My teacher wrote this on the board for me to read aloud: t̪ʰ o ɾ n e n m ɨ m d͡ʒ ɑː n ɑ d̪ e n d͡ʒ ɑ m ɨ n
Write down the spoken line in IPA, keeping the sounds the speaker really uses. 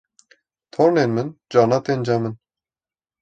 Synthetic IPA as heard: t̪ʰ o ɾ n e n m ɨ n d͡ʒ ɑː n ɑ t̪ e n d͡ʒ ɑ m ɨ n